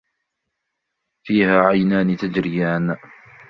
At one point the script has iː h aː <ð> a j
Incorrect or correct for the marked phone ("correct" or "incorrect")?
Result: incorrect